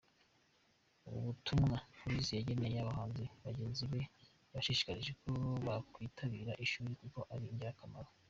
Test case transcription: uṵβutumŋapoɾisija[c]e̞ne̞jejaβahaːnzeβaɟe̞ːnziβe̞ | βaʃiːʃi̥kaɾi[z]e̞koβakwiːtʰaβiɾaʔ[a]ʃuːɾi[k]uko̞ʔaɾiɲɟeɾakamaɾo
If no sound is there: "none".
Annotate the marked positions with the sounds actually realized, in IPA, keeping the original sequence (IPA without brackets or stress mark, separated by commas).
ɟ, ʒ, i, k